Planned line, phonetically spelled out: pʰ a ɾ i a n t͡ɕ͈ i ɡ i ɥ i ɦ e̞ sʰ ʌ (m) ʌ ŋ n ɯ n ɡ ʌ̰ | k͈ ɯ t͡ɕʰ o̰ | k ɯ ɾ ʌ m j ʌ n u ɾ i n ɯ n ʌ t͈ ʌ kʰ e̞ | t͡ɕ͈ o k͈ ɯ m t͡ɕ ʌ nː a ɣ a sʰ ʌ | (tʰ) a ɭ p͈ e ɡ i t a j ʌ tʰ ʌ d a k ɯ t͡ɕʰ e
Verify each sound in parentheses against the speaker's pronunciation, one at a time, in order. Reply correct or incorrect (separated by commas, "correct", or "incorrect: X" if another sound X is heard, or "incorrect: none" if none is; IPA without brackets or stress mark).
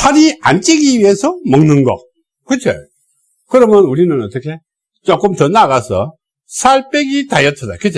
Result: correct, incorrect: sʰ